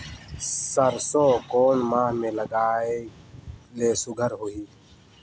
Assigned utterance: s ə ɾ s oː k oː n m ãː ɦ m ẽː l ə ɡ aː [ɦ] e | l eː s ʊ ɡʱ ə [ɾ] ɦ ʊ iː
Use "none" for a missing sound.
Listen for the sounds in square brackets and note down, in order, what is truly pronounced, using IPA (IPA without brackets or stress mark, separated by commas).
none, ɾ